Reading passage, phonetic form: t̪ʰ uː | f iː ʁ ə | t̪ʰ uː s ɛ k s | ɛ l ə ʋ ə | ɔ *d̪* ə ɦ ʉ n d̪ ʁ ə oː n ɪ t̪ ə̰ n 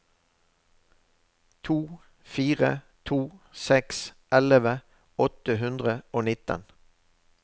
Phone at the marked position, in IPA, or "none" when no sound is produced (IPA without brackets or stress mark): t̪